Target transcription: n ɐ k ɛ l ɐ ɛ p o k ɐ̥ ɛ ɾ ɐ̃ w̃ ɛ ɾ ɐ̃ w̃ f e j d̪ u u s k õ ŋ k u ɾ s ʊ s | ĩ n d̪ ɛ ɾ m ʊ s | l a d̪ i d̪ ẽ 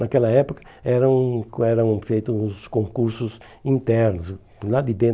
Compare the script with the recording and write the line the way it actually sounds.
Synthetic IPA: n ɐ k ɛ l ɐ ɛ p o k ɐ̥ ɛ ɾ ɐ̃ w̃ ɛ ɾ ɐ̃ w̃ f e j t̪ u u s k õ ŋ k u ɾ s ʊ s | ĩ n t̪ ɛ ɾ n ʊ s | l a d̪ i d̪ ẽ